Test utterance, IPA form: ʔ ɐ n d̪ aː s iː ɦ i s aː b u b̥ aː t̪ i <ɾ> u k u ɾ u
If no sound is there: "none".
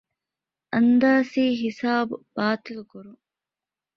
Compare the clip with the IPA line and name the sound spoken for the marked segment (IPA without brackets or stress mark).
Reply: l